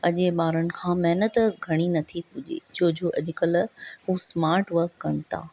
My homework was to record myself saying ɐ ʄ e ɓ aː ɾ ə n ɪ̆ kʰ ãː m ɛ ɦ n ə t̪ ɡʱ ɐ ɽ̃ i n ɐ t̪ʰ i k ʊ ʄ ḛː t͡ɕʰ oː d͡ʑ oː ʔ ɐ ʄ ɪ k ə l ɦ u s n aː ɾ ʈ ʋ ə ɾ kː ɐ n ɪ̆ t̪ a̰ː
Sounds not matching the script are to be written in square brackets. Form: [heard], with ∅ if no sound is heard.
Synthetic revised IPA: ɐ ʄ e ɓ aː ɾ ə n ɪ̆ kʰ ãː m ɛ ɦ n ə t̪ ɡʱ ɐ ɽ̃ i n ɐ t̪ʰ i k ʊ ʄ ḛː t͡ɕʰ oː d͡ʑ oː ʔ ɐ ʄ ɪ k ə l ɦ u s [m] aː ɾ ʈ ʋ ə ɾ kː ɐ n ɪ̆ t̪ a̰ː